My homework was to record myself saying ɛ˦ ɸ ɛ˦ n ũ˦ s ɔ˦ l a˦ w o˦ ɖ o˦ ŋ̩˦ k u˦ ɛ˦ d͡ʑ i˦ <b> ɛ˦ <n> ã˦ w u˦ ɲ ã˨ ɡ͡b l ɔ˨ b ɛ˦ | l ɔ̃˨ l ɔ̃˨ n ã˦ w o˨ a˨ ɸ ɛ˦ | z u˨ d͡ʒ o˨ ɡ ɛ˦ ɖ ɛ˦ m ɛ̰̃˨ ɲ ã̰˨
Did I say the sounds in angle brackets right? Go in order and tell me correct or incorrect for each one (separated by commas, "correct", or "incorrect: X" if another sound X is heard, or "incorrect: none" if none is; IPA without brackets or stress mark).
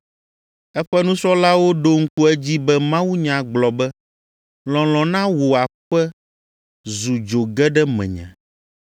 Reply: correct, incorrect: m